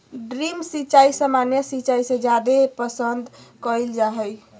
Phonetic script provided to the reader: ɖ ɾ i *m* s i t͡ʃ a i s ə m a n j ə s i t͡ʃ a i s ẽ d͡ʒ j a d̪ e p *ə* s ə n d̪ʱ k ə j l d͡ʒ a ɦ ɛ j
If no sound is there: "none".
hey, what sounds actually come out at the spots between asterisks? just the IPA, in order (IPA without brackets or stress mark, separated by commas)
m, ə